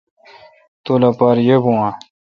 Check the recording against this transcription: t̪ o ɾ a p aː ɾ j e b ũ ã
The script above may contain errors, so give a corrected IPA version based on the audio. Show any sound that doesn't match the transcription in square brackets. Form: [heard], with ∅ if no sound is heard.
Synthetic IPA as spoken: t̪ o [l] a p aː ɾ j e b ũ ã